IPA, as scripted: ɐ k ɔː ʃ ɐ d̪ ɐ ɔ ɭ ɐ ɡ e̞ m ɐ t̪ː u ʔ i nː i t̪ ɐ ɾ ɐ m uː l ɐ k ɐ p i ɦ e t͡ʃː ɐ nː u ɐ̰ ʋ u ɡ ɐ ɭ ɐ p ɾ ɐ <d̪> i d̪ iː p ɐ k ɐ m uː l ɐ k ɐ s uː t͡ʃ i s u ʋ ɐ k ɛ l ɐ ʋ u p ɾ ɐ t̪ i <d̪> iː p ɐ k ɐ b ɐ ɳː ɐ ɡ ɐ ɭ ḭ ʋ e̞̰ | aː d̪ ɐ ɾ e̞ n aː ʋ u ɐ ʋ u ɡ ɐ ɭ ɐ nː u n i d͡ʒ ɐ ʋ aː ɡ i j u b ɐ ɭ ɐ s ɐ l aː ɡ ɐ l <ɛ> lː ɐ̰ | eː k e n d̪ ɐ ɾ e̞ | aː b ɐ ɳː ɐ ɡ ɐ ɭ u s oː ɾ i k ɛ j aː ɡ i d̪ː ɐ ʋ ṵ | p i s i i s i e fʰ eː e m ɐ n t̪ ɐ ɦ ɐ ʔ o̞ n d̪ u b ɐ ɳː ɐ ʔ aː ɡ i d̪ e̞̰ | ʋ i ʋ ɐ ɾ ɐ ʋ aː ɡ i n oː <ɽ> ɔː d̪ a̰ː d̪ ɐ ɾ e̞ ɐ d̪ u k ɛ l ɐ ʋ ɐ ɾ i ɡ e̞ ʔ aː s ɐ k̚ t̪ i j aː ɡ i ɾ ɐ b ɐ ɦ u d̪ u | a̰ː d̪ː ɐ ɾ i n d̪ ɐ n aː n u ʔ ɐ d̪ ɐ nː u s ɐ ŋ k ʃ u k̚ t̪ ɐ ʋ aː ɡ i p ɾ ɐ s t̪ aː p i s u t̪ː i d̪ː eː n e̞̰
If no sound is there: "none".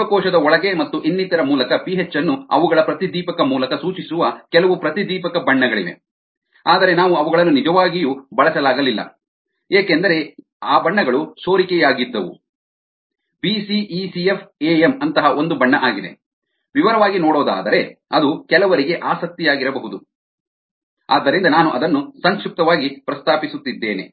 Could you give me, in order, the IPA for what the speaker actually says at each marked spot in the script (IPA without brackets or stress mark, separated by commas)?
t̪, d̪, i, ɽ